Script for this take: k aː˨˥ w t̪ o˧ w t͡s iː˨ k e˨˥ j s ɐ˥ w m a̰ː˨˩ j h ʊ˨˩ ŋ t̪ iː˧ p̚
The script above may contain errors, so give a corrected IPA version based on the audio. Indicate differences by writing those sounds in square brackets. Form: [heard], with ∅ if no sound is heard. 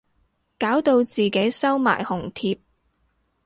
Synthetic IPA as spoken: k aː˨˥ w t̪ o˧ w t͡s iː˨ k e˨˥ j s ɐ˥ w m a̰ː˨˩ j h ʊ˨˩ ŋ [t̪ʰ] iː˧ p̚